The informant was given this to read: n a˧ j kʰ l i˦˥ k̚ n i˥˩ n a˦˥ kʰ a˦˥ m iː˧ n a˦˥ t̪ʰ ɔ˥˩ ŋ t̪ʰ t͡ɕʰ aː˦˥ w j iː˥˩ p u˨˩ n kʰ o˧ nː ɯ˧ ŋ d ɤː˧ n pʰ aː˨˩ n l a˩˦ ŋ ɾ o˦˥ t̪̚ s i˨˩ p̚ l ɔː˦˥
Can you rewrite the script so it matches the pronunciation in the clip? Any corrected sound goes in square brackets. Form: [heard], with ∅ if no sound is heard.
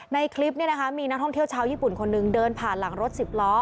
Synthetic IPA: n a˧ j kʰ l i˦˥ [p̚] n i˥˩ n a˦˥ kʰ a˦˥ m iː˧ n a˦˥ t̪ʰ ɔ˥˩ ŋ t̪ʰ t͡ɕʰ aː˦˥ w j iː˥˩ p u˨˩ n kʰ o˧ nː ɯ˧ ŋ d ɤː˧ n pʰ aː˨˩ n l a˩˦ ŋ ɾ o˦˥ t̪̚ s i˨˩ p̚ l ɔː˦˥